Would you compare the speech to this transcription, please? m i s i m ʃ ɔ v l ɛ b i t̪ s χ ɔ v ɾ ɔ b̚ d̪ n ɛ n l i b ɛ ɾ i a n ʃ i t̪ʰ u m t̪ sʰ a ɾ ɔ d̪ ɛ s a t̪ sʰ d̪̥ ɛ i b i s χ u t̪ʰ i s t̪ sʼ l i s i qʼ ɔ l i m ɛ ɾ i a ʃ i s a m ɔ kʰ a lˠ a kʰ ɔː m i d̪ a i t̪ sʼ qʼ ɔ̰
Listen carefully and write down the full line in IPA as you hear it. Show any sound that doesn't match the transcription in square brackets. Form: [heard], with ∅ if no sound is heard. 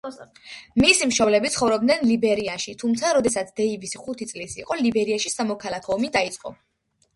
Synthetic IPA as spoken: m i s i m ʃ ɔ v l ɛ b i t̪ s χ ɔ v ɾ ɔ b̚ d̪ n ɛ n l i b ɛ ɾ i a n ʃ i t̪ʰ u m t̪ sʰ a ɾ ɔ d̪ ɛ s a t̪ sʰ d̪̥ ɛ i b i s χ u t̪ʰ i [∅] t̪ sʼ l i s i qʼ ɔ l i [b] ɛ ɾ i a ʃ i s a m ɔ kʰ a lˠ a kʰ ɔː m i d̪ a i t̪ sʼ qʼ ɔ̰